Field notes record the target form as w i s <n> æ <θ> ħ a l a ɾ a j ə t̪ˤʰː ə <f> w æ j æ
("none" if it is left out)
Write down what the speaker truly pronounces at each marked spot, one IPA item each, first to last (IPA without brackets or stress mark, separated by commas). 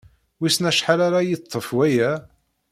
n, ʃ, f